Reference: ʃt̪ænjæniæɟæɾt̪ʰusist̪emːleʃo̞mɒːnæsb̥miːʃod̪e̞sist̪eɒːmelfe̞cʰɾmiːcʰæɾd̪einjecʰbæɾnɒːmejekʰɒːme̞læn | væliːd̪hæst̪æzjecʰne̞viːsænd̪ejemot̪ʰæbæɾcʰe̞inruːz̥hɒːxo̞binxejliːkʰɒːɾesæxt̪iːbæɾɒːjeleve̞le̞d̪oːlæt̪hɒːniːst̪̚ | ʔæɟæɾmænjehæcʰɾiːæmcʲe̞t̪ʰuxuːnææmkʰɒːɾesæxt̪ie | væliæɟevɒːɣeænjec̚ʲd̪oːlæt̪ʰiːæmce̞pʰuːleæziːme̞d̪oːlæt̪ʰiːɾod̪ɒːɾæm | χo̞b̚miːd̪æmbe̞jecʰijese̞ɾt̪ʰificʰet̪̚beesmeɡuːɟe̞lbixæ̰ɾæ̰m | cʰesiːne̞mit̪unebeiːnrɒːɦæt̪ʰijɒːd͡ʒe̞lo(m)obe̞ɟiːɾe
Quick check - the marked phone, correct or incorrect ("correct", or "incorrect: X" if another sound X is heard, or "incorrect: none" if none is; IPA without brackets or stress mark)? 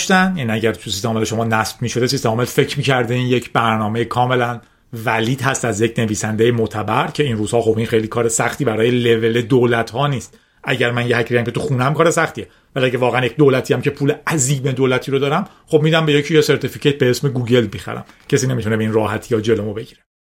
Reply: correct